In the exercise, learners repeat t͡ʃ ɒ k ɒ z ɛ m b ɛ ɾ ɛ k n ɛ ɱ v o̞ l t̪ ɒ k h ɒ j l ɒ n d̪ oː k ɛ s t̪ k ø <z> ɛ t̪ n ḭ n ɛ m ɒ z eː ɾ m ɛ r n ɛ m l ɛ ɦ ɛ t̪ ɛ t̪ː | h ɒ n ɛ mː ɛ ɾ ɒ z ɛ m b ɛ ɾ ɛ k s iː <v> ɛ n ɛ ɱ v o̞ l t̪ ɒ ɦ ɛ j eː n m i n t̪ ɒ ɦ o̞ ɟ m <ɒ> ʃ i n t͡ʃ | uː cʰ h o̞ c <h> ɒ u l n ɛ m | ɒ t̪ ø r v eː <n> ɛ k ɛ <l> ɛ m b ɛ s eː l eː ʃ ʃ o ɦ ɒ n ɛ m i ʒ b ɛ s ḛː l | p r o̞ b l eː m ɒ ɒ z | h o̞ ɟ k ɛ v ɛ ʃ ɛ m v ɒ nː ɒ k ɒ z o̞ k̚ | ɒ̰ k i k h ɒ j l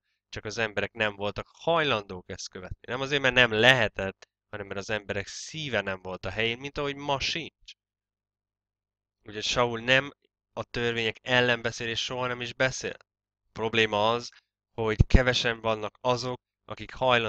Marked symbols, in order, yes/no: no, yes, yes, no, no, no

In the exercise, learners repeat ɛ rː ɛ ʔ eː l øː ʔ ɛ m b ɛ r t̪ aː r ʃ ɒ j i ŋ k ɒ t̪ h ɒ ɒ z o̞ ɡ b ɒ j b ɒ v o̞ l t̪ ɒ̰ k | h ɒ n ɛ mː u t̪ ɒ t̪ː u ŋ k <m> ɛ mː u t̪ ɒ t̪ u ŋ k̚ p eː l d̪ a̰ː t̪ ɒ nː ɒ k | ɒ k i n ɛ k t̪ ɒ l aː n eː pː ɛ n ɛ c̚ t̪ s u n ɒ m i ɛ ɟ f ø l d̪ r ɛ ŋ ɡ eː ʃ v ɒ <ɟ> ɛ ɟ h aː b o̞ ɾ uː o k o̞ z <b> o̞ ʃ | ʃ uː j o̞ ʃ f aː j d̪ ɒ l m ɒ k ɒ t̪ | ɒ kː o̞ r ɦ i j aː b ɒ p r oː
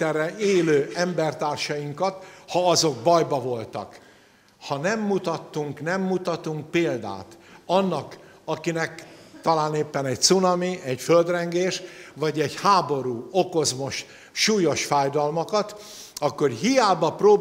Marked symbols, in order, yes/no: no, yes, no

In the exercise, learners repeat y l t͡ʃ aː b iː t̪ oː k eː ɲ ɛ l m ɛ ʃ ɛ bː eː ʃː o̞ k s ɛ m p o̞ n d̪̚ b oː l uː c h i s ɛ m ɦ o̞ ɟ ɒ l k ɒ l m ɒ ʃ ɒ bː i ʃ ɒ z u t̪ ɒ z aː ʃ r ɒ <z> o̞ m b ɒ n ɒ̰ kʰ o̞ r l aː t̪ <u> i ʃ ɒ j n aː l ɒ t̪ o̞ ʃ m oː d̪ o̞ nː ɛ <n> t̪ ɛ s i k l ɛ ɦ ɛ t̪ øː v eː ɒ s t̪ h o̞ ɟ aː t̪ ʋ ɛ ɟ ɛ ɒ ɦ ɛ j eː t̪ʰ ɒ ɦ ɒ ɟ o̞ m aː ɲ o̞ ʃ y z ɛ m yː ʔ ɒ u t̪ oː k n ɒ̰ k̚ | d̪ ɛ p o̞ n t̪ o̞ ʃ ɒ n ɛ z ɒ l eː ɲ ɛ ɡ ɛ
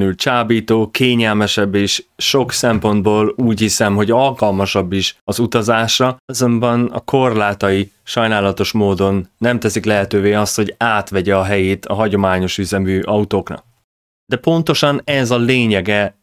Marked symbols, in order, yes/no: yes, no, no

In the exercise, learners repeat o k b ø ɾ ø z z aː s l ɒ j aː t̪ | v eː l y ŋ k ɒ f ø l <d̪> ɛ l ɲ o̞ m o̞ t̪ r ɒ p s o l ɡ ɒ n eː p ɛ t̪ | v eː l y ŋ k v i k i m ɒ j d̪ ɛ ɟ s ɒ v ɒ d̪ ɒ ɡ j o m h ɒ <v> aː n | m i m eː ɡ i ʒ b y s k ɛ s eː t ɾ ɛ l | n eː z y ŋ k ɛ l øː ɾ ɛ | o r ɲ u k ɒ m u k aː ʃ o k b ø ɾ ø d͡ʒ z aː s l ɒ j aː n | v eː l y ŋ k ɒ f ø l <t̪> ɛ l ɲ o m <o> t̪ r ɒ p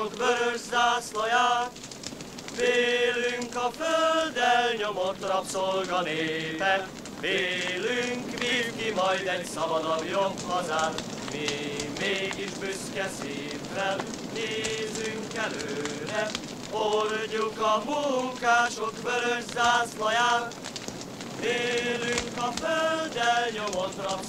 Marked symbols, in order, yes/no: yes, no, no, yes

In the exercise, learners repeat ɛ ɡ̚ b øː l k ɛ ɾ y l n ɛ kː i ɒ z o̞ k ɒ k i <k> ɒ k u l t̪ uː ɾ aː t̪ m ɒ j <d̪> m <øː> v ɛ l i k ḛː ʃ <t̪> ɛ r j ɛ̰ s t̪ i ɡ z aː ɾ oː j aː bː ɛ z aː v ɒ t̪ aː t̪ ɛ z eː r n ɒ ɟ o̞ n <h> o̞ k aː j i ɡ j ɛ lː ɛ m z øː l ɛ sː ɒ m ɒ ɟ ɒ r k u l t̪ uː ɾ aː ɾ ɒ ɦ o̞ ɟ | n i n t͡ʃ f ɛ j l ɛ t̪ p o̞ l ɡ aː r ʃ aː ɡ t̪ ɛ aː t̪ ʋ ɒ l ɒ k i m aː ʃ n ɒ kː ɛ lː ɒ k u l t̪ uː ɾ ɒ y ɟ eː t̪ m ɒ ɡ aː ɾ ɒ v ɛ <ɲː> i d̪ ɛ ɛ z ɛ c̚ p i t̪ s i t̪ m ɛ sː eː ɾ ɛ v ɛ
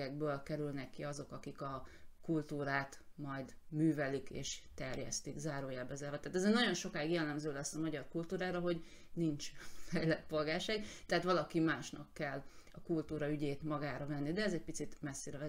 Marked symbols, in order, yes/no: yes, yes, no, yes, no, no

